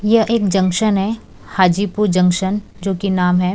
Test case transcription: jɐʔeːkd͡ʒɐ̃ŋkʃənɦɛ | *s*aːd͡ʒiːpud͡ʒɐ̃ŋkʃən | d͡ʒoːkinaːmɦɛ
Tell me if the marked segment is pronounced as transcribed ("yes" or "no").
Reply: no